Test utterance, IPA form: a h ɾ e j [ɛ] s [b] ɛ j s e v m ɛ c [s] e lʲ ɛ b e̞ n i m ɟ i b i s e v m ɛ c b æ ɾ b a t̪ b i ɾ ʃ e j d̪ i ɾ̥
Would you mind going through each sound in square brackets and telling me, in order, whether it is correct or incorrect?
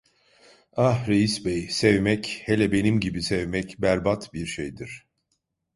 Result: incorrect: i, correct, incorrect: h

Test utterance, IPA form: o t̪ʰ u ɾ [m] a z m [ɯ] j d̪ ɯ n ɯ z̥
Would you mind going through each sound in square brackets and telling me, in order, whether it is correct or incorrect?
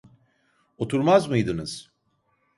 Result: correct, correct

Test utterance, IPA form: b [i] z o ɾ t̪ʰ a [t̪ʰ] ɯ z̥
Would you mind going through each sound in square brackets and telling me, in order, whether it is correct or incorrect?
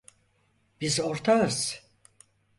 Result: correct, incorrect: none

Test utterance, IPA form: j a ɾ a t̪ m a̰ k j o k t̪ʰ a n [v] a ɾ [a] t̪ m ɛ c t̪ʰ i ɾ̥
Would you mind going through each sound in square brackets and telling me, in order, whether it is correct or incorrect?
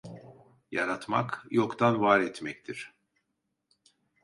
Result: correct, incorrect: ɛ

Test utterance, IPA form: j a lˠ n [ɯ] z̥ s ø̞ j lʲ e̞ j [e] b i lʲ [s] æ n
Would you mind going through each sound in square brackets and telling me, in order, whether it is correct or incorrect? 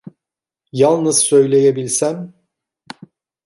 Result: correct, correct, correct

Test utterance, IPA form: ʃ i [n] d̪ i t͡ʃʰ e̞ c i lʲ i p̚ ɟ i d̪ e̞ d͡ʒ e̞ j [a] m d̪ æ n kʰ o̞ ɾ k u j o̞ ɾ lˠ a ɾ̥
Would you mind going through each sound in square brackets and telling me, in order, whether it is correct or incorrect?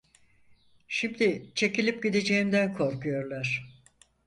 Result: incorrect: m, incorrect: i

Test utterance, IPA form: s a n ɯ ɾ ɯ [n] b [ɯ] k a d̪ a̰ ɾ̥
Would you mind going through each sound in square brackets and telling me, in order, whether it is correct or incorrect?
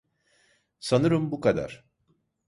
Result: incorrect: m, incorrect: u

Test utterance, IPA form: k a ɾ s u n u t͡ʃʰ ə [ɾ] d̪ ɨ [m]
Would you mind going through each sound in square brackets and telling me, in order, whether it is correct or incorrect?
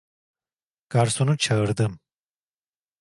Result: correct, correct

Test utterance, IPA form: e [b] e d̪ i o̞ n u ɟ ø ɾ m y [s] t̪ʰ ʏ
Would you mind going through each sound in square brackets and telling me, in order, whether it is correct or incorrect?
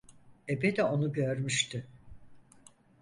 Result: correct, incorrect: ʃ

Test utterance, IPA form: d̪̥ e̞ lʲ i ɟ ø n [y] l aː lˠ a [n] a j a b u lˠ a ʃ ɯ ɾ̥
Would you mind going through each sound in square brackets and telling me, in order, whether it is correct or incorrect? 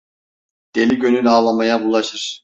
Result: correct, incorrect: m

